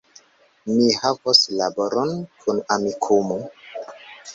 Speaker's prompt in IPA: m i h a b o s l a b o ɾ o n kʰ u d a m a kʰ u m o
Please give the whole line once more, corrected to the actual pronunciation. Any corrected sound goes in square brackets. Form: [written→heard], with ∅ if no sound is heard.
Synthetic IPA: m i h a [b→v] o s l a b o ɾ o n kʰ u [d→n] a m [a→i] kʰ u m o